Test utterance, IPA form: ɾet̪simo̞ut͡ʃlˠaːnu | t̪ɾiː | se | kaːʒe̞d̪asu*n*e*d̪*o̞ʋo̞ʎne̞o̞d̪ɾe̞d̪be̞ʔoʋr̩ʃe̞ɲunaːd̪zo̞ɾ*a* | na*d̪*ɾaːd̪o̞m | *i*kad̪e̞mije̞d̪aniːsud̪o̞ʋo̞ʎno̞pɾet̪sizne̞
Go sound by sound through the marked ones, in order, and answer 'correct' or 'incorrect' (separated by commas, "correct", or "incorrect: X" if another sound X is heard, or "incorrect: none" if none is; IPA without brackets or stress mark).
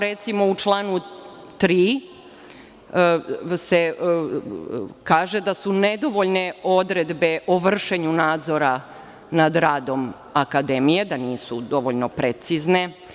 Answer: correct, correct, correct, correct, incorrect: a